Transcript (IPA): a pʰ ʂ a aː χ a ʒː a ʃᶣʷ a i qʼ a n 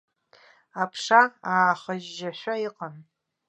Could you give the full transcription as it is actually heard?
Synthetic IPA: a pʰ ʂ a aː χ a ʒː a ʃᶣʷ a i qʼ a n